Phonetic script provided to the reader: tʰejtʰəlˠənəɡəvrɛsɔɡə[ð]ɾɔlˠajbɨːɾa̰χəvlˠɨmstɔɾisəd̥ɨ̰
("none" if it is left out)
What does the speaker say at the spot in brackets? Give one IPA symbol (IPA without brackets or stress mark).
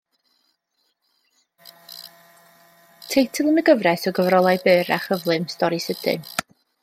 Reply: v